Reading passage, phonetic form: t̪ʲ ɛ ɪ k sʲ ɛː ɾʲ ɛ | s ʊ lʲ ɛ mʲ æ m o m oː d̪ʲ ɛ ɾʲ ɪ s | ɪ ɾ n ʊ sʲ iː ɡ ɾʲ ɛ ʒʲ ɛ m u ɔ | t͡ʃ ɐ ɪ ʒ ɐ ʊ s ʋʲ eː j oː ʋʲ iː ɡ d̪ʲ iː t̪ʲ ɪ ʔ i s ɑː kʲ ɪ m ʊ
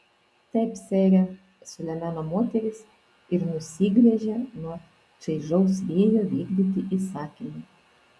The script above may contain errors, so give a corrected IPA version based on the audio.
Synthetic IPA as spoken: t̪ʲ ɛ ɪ p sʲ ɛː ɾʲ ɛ | s ʊ lʲ ɛ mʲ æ n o m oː t̪ʲ ɛ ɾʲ ɪ s | ɪ ɾ n ʊ sʲ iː ɡ ɾʲ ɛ ʒʲ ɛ n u ɔ | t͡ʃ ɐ ɪ ʒ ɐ ʊ s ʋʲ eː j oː ʋʲ iː ɡ d̪ʲ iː t̪ʲ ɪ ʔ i s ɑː kʲ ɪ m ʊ